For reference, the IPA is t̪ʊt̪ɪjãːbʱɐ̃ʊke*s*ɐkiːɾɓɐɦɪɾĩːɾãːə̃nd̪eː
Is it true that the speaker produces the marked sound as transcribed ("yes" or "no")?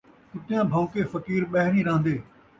no